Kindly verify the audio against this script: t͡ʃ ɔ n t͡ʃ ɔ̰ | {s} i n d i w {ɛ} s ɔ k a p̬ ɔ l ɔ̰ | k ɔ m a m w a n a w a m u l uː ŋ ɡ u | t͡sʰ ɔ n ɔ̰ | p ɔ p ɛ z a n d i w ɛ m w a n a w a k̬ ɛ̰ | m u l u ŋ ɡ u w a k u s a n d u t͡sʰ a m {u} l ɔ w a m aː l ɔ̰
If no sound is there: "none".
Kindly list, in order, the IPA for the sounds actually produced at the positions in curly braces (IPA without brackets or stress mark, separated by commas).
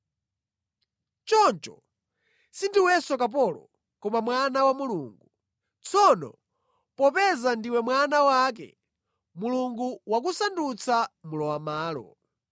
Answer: s, ɛ, u